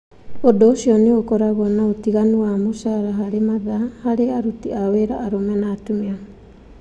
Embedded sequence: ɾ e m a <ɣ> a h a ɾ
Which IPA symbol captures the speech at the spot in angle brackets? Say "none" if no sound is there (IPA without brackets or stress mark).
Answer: ð